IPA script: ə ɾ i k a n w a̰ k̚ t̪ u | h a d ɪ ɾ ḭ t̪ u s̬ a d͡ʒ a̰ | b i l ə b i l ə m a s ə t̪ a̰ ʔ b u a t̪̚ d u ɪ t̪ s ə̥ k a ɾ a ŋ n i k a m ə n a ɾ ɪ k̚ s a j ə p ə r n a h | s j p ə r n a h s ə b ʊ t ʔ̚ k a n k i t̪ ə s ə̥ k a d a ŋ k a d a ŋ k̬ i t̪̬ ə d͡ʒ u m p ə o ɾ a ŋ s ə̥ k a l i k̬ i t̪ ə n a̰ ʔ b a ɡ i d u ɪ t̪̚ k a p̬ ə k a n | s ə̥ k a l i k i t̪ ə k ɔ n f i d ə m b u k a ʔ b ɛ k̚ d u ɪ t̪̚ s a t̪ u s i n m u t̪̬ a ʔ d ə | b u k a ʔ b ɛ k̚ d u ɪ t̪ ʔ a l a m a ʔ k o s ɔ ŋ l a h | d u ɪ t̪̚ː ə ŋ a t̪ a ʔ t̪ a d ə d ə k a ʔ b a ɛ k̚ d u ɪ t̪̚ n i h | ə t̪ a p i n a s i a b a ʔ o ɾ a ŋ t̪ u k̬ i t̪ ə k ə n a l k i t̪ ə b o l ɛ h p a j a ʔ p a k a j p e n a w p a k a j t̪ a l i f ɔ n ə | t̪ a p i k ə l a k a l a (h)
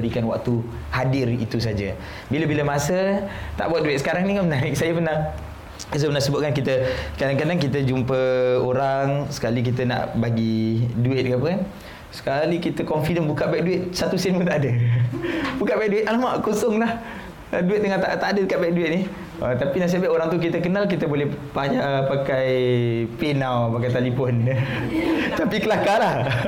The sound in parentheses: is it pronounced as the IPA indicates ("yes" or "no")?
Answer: yes